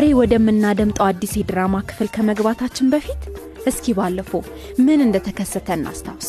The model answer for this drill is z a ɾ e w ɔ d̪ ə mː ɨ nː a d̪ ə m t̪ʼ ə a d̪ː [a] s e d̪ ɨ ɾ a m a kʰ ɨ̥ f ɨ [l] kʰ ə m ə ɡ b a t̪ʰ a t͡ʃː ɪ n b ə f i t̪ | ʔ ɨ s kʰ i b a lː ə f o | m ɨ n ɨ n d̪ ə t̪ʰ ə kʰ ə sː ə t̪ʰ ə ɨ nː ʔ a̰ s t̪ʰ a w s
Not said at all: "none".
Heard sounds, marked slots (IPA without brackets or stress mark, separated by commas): i, l